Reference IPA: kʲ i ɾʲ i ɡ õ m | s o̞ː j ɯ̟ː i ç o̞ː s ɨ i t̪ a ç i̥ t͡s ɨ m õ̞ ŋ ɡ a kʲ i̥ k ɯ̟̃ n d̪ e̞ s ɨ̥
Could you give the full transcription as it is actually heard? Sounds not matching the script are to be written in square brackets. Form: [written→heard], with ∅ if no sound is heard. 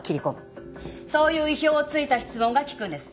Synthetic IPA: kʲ i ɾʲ i [ɡ→k] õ m | s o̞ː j ɯ̟ː i ç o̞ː [s→t͡s] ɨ i t̪ a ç i̥ t͡s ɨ m õ̞ ŋ ɡ a kʲ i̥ k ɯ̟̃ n d̪ e̞ s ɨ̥